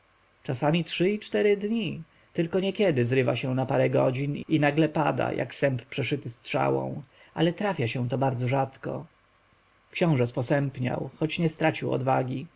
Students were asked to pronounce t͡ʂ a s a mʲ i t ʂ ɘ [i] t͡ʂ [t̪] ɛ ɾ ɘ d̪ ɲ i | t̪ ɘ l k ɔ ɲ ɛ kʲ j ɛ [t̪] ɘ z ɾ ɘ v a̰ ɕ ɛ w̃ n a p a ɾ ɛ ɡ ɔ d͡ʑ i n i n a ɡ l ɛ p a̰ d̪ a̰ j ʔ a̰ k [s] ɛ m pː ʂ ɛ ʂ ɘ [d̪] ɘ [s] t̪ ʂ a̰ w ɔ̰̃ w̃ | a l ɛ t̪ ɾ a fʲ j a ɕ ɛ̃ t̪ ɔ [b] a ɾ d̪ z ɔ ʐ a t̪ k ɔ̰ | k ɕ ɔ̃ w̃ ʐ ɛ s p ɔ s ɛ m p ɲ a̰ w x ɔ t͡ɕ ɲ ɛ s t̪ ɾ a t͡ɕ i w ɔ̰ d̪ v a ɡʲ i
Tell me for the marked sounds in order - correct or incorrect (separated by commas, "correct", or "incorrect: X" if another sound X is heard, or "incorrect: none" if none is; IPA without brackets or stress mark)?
correct, correct, incorrect: d̪, correct, incorrect: t̪, correct, correct